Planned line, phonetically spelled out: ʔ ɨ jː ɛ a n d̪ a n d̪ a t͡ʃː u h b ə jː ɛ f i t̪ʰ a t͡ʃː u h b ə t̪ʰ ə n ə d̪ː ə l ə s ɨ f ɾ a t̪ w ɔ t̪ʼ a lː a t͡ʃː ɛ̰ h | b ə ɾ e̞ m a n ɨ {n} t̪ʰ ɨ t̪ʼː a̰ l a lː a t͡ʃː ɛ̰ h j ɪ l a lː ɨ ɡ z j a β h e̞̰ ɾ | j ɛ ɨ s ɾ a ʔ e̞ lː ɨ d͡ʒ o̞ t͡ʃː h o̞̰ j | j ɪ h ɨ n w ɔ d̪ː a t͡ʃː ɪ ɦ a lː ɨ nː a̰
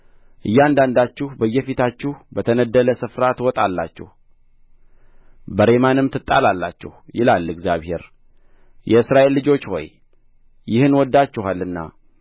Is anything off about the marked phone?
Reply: yes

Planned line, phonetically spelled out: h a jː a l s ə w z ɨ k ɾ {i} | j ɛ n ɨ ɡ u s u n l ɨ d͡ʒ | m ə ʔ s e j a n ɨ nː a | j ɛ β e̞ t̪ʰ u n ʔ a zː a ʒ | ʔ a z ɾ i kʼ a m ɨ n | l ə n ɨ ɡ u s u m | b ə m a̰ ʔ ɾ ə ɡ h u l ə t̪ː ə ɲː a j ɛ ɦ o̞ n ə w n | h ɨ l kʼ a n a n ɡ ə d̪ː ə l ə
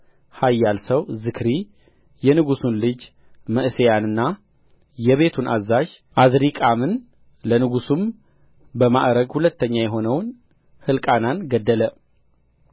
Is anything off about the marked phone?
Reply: no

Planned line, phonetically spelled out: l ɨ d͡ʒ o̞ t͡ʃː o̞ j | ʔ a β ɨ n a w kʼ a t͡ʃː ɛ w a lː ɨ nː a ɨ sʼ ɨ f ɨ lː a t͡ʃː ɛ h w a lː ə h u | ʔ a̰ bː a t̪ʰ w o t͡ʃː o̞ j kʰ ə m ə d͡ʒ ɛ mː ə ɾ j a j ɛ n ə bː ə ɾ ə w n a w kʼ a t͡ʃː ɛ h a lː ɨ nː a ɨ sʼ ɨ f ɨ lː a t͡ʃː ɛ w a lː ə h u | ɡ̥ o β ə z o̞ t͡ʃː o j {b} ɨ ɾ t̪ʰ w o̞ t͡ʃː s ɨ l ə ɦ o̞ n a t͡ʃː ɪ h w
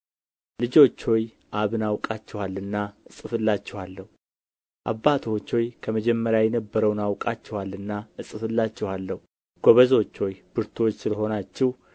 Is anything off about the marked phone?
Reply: no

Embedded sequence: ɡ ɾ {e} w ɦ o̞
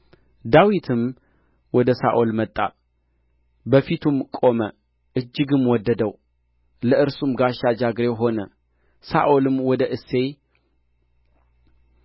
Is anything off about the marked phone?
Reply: no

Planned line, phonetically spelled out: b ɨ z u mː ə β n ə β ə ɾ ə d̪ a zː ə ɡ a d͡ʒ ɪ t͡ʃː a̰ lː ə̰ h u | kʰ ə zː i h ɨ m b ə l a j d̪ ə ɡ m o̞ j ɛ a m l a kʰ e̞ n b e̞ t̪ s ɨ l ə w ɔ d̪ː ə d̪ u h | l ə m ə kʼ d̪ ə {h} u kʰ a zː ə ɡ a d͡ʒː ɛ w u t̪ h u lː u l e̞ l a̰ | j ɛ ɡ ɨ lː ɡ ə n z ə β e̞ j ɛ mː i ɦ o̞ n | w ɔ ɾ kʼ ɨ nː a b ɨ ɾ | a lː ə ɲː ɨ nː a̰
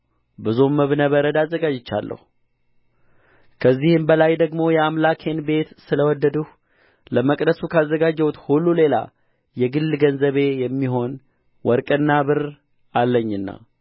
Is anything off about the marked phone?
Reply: yes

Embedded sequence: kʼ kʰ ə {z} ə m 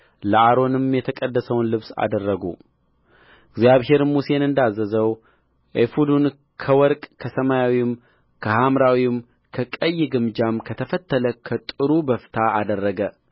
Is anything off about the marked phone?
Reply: yes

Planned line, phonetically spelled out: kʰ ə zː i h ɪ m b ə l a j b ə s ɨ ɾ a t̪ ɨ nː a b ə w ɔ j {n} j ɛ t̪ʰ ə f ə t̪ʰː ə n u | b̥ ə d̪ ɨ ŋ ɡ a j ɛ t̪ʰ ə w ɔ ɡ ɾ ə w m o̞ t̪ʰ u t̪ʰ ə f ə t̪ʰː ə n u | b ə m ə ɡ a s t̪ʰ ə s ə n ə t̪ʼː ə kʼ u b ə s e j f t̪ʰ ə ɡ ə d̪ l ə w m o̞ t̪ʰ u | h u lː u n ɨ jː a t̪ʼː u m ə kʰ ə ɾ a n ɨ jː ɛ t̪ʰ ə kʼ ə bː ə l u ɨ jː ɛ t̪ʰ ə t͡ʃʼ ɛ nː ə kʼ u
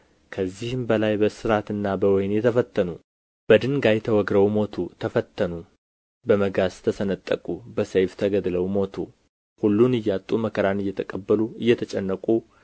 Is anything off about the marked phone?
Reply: no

